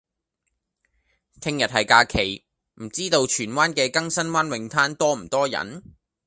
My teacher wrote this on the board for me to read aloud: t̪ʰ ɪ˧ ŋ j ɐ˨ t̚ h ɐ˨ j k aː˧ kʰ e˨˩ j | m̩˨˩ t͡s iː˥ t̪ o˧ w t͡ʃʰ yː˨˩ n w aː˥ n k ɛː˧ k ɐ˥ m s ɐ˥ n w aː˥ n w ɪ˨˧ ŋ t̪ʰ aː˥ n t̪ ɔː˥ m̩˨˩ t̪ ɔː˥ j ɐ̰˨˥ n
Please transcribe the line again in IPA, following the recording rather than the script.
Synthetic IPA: t̪ʰ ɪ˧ ŋ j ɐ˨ t̚ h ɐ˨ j k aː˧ kʰ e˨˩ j | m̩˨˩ t͡s iː˥ t̪ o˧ w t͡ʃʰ yː˨˩ n w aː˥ n k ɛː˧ k ɐ˥ ŋ s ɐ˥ n w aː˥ n w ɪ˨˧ ŋ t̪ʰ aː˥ n t̪ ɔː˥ m̩˨˩ t̪ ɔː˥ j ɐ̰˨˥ n

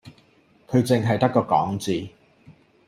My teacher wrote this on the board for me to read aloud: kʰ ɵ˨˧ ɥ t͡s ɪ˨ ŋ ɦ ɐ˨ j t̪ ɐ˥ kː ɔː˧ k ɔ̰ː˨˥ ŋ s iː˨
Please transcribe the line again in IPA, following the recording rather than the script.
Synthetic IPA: kʰ ɵ˨˧ ɥ t͡s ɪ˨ ŋ ɦ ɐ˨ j t̪ ɐ˥ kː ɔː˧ k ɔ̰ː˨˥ ŋ t͡s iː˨

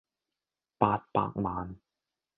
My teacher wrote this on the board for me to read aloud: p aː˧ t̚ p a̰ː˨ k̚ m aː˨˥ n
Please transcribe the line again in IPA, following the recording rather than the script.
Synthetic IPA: p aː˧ t̚ p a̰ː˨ k̚ m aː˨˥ n

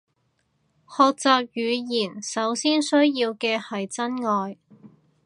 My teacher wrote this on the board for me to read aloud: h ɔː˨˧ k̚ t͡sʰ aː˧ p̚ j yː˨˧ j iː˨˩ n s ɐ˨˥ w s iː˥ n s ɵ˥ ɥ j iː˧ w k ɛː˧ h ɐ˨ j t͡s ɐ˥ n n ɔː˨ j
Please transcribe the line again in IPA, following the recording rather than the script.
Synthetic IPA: h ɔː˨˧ k̚ t͡s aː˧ p̚ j yː˨˧ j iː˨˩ n s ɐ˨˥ w s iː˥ n s ɵ˥ ɥ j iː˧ w k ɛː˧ h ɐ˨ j t͡s ɐ˥ n ŋ ɔː˨ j

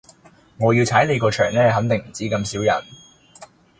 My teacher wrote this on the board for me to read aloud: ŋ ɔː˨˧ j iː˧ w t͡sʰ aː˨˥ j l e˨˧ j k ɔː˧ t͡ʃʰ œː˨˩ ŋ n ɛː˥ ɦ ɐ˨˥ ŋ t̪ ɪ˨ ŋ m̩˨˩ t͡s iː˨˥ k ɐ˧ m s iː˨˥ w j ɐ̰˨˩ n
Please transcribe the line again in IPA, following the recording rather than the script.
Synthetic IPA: ŋ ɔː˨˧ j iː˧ w t͡sʰ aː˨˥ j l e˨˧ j k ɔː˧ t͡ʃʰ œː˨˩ ŋ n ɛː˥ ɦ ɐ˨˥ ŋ t̪ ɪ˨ ŋ m̩˨˩ t͡s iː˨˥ k ɐ˧ m s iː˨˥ w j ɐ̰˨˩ n

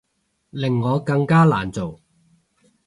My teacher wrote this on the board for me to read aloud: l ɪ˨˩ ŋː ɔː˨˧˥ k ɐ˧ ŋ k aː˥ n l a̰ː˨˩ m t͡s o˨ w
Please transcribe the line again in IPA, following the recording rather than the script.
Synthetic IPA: l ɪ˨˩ ŋː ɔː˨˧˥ k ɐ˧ ŋ k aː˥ l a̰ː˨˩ n t͡s o˨ w

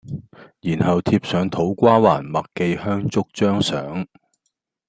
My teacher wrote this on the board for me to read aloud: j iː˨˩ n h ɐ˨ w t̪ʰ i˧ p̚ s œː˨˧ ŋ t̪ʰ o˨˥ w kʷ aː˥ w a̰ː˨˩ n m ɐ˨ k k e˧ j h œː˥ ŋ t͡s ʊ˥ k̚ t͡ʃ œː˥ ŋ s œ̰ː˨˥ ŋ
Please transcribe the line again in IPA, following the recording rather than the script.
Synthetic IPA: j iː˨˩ n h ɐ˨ w t̪ʰ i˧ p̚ s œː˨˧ ŋ t̪ʰ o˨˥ w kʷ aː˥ w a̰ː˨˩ n m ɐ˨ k k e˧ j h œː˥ ŋ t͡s ʊ˥ k̚ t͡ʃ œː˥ ŋ s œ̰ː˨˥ ŋ

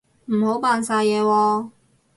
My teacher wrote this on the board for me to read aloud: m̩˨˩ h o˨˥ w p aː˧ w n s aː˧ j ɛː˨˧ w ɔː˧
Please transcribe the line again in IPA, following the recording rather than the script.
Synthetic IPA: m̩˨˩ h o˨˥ w p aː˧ n s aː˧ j ɛː˨˧ w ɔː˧

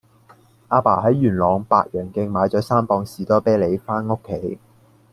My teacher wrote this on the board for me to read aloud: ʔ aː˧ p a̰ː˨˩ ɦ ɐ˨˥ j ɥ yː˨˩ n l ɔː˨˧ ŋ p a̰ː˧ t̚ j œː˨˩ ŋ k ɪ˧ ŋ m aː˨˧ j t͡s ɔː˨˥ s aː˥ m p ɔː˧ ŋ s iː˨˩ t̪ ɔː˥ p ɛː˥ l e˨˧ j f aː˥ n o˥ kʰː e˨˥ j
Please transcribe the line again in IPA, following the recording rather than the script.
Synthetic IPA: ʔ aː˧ p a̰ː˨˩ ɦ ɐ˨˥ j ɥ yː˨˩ n l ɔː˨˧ ŋ p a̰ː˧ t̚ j œː˨˩ ŋ k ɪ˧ ŋ m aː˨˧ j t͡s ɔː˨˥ s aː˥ m p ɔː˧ ŋ s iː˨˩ t̪ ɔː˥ p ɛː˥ l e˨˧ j f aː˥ n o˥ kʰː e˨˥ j

